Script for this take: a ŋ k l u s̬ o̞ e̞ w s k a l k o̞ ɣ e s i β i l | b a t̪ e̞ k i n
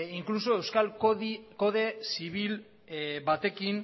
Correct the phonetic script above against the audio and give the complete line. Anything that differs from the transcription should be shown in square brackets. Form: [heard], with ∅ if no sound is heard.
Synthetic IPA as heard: [i] ŋ k l u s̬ o̞ e̞ w s k a l k o̞ [ð] e s i β i l | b a t̪ e̞ k i n